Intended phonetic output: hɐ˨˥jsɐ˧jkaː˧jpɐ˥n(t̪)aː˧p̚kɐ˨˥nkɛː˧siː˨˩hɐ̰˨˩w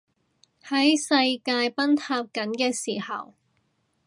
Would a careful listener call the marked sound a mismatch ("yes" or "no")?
yes